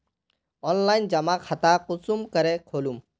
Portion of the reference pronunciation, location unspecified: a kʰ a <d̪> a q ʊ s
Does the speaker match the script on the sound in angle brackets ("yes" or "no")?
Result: no